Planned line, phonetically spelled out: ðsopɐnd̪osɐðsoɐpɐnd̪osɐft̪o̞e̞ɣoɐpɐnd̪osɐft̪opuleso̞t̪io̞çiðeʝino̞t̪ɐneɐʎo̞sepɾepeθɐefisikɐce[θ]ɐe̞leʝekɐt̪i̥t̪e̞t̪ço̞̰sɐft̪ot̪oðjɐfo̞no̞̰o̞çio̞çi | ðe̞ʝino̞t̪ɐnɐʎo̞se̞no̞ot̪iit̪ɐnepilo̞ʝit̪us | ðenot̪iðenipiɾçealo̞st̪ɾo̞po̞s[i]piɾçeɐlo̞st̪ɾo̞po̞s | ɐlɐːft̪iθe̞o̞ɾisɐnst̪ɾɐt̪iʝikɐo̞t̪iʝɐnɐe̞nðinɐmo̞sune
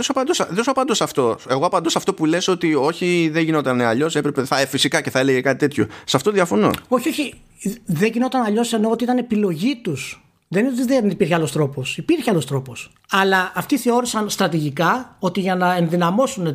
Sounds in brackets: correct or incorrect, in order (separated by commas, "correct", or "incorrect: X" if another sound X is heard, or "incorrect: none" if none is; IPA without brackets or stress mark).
correct, correct